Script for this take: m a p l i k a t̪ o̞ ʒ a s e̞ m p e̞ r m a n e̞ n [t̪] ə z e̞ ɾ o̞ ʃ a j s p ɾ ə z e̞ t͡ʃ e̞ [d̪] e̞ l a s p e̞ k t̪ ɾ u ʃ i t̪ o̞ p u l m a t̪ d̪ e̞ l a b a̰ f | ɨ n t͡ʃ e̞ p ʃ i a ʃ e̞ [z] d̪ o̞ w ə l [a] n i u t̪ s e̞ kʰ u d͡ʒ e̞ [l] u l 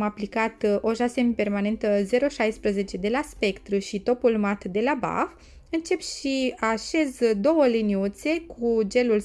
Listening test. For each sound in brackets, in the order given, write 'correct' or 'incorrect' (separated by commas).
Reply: correct, correct, correct, incorrect, correct